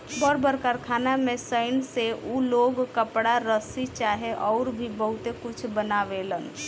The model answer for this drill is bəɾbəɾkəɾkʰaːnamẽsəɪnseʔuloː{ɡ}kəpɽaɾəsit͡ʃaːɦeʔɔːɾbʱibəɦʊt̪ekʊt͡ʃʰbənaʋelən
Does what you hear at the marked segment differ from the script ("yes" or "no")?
no